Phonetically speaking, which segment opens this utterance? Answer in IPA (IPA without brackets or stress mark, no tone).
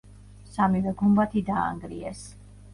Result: s